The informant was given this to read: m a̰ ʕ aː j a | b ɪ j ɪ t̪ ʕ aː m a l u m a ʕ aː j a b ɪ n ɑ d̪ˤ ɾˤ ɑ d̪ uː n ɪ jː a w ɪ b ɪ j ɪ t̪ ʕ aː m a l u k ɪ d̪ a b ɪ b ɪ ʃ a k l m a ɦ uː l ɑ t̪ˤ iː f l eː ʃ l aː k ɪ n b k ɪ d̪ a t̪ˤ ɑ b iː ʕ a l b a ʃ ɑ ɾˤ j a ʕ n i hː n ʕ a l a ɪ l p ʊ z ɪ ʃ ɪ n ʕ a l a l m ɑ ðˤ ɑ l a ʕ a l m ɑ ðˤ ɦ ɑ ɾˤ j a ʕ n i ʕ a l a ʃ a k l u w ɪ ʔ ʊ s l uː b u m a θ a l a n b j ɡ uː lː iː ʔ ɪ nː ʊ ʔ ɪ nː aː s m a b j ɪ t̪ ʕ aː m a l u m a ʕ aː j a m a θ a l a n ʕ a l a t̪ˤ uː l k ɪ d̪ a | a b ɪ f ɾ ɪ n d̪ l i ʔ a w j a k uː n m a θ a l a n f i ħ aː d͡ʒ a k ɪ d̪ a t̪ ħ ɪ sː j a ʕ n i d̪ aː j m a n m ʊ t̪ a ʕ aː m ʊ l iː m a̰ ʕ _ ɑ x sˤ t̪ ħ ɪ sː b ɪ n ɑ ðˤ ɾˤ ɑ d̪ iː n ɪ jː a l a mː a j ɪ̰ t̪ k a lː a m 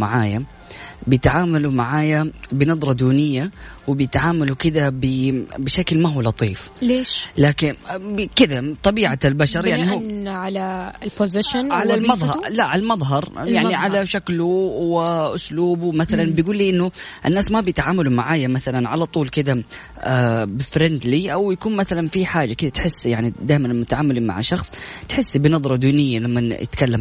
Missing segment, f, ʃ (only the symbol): ʃ